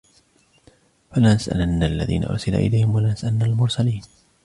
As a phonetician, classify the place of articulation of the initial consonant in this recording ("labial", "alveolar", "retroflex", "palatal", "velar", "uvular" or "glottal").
labial